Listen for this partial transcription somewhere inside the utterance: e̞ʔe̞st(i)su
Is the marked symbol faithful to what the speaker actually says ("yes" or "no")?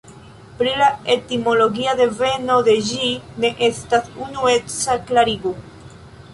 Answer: no